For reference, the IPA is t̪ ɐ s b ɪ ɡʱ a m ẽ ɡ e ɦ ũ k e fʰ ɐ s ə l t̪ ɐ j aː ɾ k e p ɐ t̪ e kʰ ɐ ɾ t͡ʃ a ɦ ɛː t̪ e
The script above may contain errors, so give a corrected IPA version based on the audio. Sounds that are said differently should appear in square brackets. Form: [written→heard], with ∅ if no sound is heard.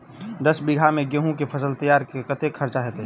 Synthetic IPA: [t̪→d̪] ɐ s b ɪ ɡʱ a m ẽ ɡ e ɦ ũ k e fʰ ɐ s ə l t̪ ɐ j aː ɾ k e [p→k] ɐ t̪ e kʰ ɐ ɾ t͡ʃ a ɦ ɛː t̪ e